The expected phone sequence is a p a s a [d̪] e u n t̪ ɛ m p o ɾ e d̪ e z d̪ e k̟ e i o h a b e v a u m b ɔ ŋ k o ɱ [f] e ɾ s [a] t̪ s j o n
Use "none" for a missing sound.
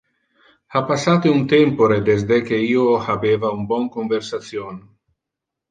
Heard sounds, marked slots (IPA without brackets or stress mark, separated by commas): t̪, v, a